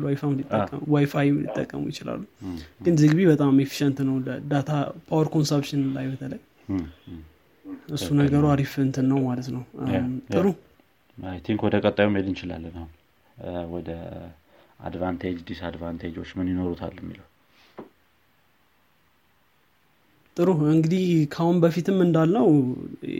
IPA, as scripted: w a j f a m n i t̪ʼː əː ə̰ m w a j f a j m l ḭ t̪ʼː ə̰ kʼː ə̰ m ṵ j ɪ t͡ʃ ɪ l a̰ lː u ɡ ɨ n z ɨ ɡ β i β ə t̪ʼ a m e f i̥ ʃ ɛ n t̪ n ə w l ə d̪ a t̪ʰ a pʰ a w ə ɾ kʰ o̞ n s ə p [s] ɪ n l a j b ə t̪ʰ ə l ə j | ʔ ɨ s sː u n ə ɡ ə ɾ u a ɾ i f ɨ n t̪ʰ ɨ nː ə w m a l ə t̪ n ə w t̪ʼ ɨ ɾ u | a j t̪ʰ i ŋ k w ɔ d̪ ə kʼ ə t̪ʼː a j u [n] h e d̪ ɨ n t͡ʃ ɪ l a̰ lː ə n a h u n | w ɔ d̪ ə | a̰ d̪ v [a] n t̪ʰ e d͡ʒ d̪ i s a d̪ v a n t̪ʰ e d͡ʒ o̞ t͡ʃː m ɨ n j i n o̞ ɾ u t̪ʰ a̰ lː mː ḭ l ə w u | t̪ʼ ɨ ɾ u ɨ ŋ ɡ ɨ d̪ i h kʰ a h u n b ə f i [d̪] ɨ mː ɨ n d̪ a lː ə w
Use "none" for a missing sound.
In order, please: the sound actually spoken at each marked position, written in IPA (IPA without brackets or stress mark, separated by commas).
ʃ, m, a, t̪